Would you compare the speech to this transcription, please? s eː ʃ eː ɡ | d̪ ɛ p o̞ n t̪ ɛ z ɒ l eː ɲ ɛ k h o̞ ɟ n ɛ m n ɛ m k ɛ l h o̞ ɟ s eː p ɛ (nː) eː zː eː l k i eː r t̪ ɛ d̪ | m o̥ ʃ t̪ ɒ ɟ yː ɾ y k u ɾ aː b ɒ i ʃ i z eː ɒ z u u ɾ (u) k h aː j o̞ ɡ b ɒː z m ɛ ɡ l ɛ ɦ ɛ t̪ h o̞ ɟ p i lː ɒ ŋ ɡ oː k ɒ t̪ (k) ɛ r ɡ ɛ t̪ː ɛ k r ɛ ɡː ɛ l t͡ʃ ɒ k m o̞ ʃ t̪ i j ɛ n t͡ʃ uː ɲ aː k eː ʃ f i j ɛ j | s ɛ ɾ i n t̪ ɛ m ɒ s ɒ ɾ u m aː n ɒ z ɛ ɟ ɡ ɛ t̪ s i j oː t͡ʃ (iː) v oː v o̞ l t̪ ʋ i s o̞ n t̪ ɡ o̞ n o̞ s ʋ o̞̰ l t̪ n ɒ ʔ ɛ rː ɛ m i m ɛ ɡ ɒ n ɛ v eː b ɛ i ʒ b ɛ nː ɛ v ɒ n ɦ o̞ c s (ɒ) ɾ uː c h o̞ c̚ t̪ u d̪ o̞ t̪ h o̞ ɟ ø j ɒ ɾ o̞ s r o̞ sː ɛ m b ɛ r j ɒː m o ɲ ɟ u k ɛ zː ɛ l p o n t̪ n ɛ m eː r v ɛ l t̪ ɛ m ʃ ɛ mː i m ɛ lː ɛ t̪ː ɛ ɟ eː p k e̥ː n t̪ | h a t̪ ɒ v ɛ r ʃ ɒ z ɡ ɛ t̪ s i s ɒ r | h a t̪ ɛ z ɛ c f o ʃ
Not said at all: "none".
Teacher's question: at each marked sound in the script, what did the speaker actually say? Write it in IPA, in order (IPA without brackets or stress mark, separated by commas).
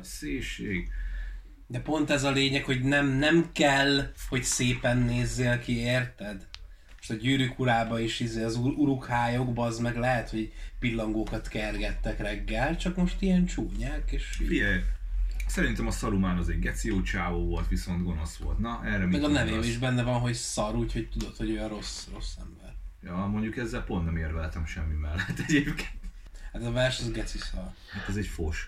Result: nː, u, k, aː, ɒ